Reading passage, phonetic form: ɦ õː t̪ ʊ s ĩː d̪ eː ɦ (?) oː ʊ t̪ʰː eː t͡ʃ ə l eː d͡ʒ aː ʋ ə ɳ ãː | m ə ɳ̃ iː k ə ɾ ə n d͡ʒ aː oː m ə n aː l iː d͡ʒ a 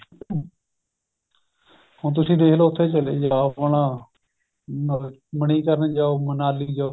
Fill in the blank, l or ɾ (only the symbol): l